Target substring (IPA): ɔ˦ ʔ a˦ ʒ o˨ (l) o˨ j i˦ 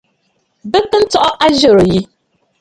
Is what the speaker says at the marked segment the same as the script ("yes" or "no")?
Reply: no